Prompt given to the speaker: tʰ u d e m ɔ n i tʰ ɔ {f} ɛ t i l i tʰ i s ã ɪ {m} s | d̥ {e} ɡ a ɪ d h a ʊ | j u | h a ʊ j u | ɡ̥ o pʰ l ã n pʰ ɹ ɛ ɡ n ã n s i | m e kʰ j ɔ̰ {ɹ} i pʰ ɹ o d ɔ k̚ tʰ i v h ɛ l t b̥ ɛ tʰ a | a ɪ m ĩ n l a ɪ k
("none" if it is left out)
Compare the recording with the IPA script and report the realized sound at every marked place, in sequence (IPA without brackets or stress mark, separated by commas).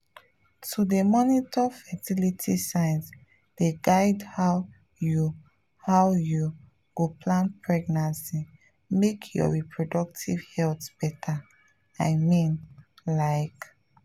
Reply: f, n, e, ɹ